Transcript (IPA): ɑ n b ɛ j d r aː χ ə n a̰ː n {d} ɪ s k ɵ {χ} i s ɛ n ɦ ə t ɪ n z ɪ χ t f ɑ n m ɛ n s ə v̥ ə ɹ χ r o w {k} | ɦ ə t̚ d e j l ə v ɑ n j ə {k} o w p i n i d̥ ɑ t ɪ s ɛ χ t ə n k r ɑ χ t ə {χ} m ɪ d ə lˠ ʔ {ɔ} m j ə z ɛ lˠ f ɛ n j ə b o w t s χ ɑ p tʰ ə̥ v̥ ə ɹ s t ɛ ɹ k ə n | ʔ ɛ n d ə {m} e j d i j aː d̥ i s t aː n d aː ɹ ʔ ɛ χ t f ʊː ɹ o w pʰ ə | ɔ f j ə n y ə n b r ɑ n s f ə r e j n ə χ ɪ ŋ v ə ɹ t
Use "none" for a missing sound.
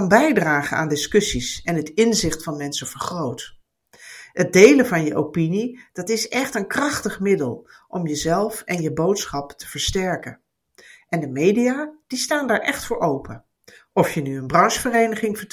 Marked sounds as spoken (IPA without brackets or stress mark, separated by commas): d, s, t, ʔ, χ, ɔ, m